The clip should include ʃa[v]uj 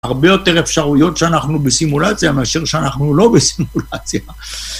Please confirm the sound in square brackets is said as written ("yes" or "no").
no